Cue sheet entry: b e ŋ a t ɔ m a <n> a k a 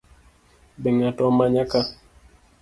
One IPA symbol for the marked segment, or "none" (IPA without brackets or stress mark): ɲ